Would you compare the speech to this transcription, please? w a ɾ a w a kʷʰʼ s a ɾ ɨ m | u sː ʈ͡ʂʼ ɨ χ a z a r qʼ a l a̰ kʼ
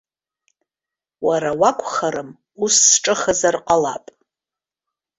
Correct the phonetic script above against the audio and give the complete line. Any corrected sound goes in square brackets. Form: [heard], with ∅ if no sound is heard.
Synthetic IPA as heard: w a ɾ a w a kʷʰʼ [χ] a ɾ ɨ m | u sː ʈ͡ʂʼ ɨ χ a z a r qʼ a l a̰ [pʼ]